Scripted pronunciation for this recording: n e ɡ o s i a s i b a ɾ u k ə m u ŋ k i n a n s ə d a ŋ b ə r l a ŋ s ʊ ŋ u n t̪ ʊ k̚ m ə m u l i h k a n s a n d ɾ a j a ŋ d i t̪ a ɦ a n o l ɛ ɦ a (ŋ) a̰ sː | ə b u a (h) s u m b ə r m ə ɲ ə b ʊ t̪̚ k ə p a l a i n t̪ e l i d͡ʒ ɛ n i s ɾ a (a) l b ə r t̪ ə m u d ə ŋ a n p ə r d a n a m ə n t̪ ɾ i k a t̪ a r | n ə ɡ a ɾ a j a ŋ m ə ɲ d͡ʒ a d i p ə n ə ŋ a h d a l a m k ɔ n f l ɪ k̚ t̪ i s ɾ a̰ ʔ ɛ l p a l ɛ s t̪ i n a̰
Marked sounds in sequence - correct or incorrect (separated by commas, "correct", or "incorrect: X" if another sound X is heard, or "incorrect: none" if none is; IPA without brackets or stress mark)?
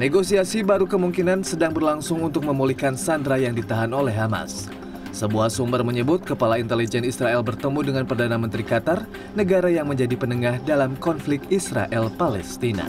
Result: incorrect: m, correct, incorrect: ɛ